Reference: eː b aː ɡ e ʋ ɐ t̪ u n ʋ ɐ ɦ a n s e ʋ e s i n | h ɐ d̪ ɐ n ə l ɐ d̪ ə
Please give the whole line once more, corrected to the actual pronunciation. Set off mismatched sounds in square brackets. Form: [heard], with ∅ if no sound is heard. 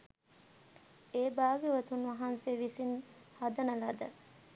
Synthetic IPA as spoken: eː b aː ɡ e ʋ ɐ t̪ u n ʋ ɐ ɦ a n s e ʋ [i] s i n | h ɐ d̪ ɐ n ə l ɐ d̪ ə